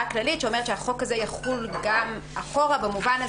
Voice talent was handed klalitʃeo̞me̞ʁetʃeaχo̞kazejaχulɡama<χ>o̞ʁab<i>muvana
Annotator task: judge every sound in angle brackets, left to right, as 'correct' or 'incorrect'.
correct, incorrect

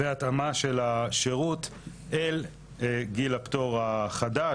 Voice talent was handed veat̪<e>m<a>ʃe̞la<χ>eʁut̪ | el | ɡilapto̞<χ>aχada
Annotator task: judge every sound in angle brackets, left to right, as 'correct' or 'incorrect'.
incorrect, correct, incorrect, incorrect

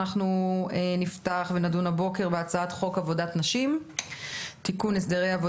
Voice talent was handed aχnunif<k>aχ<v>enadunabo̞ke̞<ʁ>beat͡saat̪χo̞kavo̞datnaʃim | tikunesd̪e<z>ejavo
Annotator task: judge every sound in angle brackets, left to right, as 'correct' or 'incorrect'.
incorrect, correct, correct, incorrect

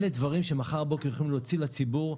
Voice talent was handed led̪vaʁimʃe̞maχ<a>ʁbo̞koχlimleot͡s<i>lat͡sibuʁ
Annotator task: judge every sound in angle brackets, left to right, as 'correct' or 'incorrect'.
correct, correct

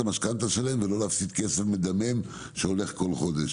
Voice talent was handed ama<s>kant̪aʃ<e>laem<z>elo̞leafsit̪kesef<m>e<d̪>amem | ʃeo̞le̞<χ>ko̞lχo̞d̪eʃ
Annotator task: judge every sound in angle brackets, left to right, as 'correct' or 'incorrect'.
incorrect, correct, incorrect, correct, correct, correct

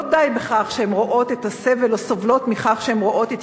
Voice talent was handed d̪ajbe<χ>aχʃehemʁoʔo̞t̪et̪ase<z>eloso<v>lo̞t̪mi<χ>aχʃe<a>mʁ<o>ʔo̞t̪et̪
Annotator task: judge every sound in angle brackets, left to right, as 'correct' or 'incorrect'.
correct, incorrect, correct, correct, incorrect, correct

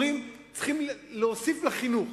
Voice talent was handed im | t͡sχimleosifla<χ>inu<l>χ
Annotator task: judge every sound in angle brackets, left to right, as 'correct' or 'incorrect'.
correct, incorrect

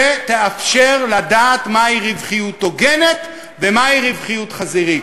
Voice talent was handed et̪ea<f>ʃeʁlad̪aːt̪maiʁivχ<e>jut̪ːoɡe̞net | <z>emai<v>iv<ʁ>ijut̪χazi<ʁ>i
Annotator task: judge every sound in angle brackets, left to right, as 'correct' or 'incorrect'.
correct, incorrect, incorrect, incorrect, incorrect, correct

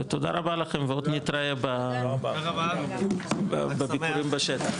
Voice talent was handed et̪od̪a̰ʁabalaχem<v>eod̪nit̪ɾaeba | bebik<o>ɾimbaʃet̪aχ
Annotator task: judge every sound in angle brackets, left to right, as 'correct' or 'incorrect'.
correct, incorrect

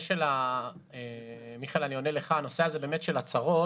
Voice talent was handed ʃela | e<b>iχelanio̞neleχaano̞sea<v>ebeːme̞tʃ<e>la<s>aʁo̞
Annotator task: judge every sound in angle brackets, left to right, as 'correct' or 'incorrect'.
incorrect, incorrect, correct, incorrect

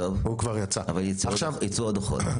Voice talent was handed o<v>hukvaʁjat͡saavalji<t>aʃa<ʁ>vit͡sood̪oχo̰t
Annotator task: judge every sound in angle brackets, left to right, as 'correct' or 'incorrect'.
correct, incorrect, incorrect

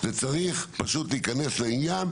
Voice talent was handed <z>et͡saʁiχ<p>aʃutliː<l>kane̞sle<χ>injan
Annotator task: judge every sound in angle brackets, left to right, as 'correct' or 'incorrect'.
correct, correct, incorrect, incorrect

